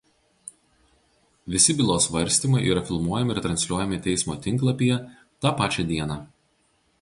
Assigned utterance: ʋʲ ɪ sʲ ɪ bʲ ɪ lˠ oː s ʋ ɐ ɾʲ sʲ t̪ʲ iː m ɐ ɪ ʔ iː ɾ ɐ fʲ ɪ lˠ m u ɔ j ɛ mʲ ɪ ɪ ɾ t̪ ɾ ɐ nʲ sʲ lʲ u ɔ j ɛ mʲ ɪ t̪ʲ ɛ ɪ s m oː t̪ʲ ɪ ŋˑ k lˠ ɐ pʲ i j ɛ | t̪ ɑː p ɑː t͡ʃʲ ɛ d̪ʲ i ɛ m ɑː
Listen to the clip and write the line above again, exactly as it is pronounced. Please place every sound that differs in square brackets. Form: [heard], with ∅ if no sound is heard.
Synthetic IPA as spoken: ʋʲ ɪ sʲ ɪ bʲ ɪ lˠ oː s ʋ ɐ ɾʲ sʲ t̪ʲ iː m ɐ ɪ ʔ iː ɾ ɐ fʲ ɪ lˠ m u ɔ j ɛ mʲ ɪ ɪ ɾ t̪ ɾ ɐ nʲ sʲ lʲ u ɔ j ɛ mʲ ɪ t̪ʲ ɛ ɪ s m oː t̪ʲ ɪ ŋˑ k lˠ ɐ pʲ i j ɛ | t̪ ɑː p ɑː t͡ʃʲ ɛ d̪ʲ i ɛ [n] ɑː